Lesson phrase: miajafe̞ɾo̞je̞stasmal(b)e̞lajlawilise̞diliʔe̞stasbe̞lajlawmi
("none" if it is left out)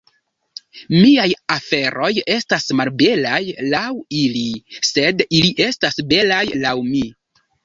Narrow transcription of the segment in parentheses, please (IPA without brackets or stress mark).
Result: b